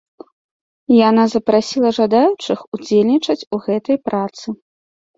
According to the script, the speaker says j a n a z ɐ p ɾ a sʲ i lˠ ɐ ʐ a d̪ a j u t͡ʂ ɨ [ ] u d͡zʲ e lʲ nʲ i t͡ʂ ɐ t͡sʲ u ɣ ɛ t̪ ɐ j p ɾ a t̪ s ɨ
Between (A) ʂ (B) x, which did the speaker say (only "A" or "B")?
B